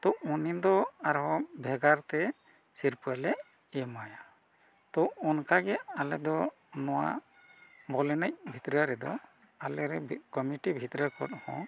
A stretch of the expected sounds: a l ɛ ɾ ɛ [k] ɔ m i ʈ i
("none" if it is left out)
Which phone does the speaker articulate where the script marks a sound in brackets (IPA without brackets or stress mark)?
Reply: k